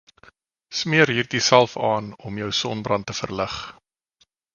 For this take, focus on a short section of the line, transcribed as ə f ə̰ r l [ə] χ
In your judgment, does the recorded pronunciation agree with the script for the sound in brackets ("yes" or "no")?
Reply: yes